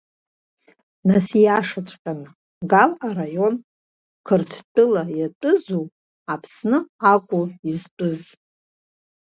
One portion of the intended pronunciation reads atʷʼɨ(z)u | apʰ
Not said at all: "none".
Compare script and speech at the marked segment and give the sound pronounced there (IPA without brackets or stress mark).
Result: z